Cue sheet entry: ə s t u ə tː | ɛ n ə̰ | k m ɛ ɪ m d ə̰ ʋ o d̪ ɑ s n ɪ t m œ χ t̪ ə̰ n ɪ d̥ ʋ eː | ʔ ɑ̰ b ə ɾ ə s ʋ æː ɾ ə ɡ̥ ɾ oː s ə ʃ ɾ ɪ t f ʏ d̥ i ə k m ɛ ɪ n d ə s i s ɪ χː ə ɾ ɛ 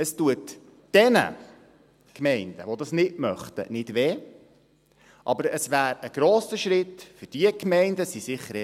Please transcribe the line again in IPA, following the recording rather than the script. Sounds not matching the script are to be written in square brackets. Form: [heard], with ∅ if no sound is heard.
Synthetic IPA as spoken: ə s t u ə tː | ɛ n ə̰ | k m ɛ ɪ [n] d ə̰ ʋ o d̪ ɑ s n ɪ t m œ χ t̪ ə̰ n ɪ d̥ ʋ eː | ʔ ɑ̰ b ə ɾ ə s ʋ æː ɾ ə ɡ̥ ɾ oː s ə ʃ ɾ ɪ t f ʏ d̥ i ə k m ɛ ɪ n d ə s i s ɪ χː ə ɾ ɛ